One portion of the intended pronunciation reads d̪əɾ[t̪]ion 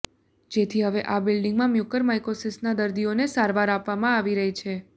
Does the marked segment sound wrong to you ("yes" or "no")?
yes